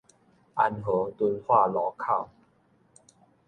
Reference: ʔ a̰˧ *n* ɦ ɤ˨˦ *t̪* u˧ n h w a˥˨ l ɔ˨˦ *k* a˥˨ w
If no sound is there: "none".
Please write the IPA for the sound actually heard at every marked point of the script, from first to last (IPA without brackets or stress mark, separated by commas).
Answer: n, t̪, kʰ